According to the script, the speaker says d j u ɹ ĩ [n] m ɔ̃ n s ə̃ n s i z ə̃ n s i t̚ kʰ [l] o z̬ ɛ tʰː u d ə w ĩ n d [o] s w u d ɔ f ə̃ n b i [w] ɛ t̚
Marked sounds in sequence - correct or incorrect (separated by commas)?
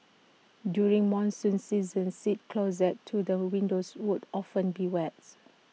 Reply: incorrect, correct, correct, correct